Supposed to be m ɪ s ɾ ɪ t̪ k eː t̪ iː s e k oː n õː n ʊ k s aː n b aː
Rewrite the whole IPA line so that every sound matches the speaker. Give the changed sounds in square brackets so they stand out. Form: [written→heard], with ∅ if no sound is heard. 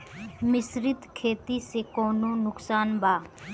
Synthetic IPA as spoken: m ɪ s ɾ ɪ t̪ [k→kʰ] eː t̪ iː s e k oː n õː n ʊ k s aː n b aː